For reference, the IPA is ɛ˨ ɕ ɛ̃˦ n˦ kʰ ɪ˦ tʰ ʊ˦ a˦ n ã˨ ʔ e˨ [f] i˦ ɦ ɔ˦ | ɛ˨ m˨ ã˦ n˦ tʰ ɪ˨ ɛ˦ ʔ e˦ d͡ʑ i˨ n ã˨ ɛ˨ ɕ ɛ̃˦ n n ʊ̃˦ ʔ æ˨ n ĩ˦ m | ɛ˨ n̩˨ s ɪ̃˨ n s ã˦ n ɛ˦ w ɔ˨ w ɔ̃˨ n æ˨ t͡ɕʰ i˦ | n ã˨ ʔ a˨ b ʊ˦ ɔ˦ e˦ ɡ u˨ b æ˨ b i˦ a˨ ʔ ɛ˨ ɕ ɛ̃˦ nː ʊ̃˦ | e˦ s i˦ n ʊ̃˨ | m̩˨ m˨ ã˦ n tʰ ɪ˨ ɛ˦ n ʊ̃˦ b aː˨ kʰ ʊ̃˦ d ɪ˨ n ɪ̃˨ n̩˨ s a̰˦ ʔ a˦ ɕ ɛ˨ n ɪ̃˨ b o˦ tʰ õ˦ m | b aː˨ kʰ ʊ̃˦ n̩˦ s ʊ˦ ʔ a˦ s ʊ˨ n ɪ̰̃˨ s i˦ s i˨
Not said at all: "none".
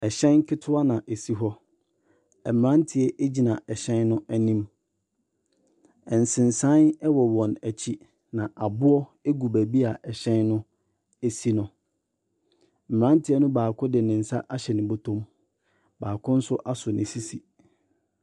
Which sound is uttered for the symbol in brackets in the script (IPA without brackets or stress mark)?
s